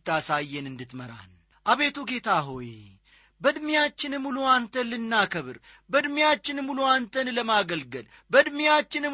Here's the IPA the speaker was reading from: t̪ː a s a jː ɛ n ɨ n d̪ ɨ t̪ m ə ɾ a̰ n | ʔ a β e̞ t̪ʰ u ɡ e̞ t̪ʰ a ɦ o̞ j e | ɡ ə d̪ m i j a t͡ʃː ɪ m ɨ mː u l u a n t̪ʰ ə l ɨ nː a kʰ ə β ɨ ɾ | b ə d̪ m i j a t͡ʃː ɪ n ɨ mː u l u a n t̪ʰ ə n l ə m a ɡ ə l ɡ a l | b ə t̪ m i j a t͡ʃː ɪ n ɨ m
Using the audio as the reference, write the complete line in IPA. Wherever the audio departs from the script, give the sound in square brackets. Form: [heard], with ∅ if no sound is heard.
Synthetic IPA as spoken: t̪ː a s a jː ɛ n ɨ n d̪ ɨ t̪ m ə ɾ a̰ n | ʔ a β e̞ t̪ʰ u ɡ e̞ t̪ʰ a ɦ o̞ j e | [b] ə d̪ m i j a t͡ʃː ɪ [n] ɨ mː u l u a n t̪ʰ ə l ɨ nː a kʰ ə β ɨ ɾ | b ə d̪ m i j a t͡ʃː ɪ n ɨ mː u l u a n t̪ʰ ə n l ə m a ɡ ə l ɡ [ə] l | b ə [d̪] m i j a t͡ʃː ɪ n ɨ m